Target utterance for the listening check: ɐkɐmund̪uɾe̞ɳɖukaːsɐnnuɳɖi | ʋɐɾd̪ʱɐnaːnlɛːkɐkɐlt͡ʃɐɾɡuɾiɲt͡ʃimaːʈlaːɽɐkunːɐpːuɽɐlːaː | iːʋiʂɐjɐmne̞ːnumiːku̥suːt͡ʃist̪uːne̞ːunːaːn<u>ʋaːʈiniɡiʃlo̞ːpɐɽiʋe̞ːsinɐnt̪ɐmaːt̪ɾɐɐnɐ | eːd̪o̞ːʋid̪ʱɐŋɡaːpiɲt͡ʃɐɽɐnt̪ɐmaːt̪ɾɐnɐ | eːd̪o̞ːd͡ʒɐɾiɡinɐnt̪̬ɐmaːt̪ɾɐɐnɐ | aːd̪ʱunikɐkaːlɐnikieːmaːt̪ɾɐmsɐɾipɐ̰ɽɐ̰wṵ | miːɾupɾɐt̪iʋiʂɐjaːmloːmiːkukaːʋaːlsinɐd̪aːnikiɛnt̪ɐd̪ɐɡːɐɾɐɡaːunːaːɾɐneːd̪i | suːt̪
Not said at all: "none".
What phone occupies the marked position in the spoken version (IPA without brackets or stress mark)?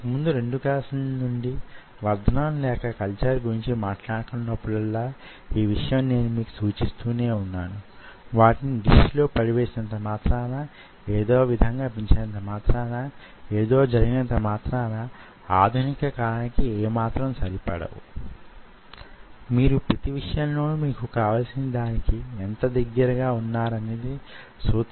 u